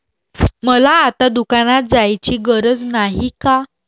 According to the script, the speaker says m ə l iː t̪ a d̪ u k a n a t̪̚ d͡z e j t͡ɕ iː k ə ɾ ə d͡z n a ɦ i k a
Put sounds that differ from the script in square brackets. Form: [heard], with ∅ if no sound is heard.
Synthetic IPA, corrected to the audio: m ə l [aː] t̪ a d̪ u k a n a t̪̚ d͡z [a] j t͡ɕ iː [ɡ] ə ɾ ə d͡z n a ɦ i k a